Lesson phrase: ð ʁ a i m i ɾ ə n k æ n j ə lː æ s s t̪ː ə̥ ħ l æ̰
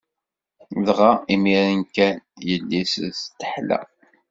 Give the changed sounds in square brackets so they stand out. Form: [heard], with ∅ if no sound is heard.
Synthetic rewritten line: ð ʁ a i m i ɾ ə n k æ n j ə lː [i] s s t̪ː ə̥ ħ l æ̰